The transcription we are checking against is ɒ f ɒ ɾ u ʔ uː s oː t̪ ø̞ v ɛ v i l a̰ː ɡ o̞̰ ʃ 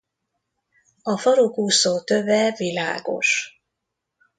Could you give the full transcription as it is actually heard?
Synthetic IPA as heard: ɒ f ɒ ɾ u k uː s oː t̪ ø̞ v ɛ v i l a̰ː ɡ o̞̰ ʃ

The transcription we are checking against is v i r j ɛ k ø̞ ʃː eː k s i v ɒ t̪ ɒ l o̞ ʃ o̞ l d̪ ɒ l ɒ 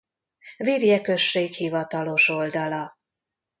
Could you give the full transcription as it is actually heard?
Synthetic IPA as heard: v i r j ɛ k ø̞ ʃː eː k h i v ɒ t̪ ɒ l o̞ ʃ o̞ l d̪ ɒ l ɒ

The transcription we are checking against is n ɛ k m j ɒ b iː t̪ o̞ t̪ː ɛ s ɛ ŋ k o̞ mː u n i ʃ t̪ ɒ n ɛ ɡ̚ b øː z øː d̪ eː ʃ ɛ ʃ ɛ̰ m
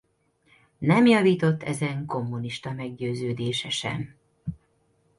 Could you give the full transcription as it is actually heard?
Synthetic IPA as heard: n ɛ m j ɒ v iː t̪ o̞ t̪ː ɛ z ɛ ŋ k o̞ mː u n i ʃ t̪ ɒ m ɛ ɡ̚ ɟ øː z øː d̪ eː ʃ ɛ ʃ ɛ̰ m

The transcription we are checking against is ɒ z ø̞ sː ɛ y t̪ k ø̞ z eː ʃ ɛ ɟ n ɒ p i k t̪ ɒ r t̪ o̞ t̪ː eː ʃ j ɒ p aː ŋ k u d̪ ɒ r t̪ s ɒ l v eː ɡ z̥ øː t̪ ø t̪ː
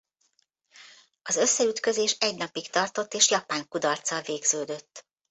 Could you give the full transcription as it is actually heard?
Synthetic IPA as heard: ɒ z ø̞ sː ɛ y t̪ k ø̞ z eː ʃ ɛ ɟ n ɒ p i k t̪ ɒ r t̪ o̞ t̪ː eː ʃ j ɒ p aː ŋ k u d̪ ɒ r t̪ s ɒ l v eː ɡ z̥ øː d̪ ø t̪ː

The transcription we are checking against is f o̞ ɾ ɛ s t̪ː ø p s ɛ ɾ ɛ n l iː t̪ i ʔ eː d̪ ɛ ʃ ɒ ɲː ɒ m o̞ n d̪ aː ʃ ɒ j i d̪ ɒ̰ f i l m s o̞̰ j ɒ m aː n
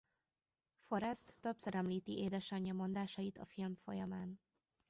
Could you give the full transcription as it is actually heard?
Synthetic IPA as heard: f o̞ ɾ ɛ s t̪ː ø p s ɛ ɾ ɛ m l iː t̪ i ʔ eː d̪ ɛ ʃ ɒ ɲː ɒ m o̞ n d̪ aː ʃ ɒ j i t̪ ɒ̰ f i l m f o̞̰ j ɒ m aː n

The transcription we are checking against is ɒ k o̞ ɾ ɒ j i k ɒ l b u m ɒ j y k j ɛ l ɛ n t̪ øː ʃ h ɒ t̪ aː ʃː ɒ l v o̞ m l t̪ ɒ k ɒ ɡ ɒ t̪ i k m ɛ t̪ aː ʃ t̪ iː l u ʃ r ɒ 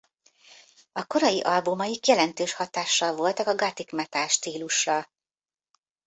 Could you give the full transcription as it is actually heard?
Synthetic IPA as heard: ɒ k o̞ ɾ ɒ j i ʔ ɒ l b u m ɒ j i k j ɛ l ɛ n t̪ øː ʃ h ɒ t̪ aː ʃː ɒ l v o̞ l t̪ ɒ k ɒ ɡ ɒ t̪ i k m ɛ t̪ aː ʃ t̪ iː l u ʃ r ɒ

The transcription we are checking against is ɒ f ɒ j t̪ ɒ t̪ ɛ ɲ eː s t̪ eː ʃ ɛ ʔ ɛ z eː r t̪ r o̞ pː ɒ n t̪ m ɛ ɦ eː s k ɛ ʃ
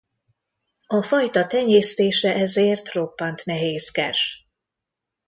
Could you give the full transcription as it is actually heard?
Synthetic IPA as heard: ɒ f ɒ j t̪ ɒ t̪ ɛ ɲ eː s t̪ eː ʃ ɛ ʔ ɛ z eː r t̪ r o̞ pː ɒ n t̪ n ɛ ɦ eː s k ɛ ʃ

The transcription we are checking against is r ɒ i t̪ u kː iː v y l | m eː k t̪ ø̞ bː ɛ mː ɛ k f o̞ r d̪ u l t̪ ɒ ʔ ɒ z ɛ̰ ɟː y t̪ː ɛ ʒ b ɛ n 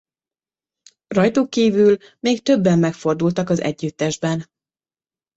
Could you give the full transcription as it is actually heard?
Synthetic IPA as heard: r ɒ j t̪ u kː iː v y l | m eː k t̪ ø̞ bː ɛ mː ɛ k f o̞ r d̪ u l t̪ ɒ k ɒ z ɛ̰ ɟː y t̪ː ɛ ʒ b ɛ n

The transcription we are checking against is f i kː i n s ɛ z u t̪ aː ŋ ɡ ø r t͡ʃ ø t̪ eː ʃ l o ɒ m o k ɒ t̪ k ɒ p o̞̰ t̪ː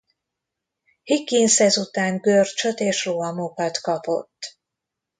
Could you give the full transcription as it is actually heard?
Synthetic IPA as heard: h i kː i n s ɛ z u t̪ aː ŋ ɡ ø r t͡ʃ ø t̪ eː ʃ r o ɒ m o k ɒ t̪ k ɒ p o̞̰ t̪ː

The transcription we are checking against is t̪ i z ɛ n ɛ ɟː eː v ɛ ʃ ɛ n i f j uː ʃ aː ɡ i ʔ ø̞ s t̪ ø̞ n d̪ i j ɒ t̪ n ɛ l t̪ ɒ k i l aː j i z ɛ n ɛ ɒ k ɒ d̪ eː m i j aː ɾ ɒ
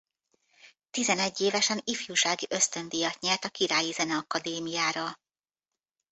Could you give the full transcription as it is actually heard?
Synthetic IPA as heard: t̪ i z ɛ n ɛ ɟː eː v ɛ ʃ ɛ n i f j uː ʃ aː ɡ i ʔ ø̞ s t̪ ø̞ n d̪ i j ɒ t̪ ɲ ɛ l t̪ ɒ k i ɾ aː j i z ɛ n ɛ ɒ k ɒ d̪ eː m i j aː ɾ ɒ

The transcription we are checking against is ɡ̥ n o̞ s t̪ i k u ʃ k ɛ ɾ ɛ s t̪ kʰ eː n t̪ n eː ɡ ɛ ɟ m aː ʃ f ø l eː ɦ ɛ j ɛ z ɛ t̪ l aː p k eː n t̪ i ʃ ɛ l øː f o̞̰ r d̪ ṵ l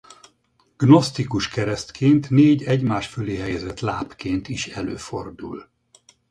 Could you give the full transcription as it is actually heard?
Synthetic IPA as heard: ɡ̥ n o̞ s t̪ i k u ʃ k ɛ ɾ ɛ s t̪ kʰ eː n t̪ n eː ɟ ɛ ɟ m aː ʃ f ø l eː ɦ ɛ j ɛ z ɛ t̪ l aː p k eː n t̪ i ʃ ɛ l øː f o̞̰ r d̪ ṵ l

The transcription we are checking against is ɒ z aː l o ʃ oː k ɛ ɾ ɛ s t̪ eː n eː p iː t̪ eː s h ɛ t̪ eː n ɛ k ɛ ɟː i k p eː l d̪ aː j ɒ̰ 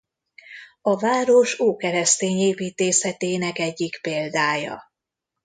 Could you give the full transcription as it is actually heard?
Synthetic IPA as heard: ɒ v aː ɾ o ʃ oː k ɛ ɾ ɛ s t̪ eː ɲ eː p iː t̪ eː s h ɛ t̪ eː n ɛ k ɛ ɟː i k p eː l d̪ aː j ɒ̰

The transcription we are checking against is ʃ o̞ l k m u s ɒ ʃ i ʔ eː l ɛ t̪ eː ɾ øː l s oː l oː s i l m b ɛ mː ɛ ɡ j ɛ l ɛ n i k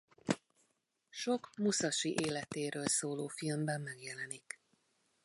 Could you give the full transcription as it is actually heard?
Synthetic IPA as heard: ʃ o̞ k m u s ɒ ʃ i ʔ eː l ɛ t̪ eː ɾ øː l s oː l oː f i l m b ɛ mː ɛ ɡ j ɛ l ɛ n i k

